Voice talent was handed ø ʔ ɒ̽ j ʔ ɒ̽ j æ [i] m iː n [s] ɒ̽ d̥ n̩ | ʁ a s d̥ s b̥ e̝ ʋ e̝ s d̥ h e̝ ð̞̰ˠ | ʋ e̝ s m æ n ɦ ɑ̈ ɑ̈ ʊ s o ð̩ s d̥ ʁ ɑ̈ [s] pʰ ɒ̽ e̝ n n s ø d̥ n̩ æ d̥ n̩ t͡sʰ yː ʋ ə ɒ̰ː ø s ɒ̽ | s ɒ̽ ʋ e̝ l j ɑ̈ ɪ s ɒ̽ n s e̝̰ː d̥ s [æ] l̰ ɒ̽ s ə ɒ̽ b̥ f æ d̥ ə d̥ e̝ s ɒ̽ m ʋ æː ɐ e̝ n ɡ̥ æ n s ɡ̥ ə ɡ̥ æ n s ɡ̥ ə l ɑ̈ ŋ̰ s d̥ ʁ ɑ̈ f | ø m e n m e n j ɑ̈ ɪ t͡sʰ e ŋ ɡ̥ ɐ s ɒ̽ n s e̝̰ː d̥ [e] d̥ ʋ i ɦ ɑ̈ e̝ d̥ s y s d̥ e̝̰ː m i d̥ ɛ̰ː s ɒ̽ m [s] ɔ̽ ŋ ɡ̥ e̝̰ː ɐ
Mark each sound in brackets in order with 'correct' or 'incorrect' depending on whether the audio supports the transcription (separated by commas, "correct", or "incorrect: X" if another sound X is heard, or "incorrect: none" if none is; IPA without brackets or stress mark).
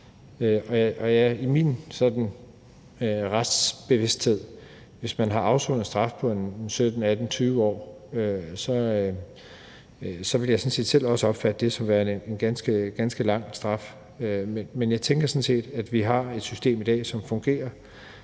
correct, correct, incorrect: f, incorrect: e, incorrect: æ, incorrect: f